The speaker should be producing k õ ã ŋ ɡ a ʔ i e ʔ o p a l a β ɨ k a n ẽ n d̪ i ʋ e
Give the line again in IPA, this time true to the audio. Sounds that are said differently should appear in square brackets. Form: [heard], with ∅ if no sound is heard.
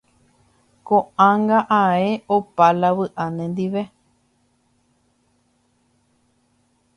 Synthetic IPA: k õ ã ŋ ɡ a ʔ [a] e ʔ o p a l a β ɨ [ʔ] a n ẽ n d̪ i ʋ e